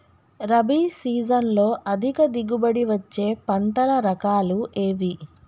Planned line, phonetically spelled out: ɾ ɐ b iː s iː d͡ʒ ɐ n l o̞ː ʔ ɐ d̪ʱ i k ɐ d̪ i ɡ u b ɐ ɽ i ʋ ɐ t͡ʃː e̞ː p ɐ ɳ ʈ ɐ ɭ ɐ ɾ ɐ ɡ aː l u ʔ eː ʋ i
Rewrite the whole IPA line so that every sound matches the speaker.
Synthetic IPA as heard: ɾ ɐ b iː s iː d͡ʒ ɐ n l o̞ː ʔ ɐ d̪ʱ i k ɐ d̪ i ɡ u b ɐ ɽ i ʋ ɐ t͡ʃː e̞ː p ɐ ɳ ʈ ɐ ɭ ɐ ɾ ɐ k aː l u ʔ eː ʋ i